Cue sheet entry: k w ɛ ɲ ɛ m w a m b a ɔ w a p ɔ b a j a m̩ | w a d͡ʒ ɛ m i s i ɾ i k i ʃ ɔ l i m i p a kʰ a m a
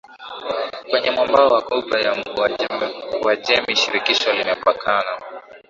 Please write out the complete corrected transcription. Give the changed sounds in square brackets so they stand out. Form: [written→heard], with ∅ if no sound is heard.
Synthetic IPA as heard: k w ɛ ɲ ɛ m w a m b a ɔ w a [p→k] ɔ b a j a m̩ | w a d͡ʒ ɛ m i [s→ʃ] i ɾ i k i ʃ ɔ l i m [i→ɛ] p a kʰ a [m→n] a